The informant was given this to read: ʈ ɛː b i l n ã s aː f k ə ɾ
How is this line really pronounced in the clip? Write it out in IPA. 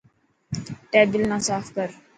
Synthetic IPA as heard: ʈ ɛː b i l n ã s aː f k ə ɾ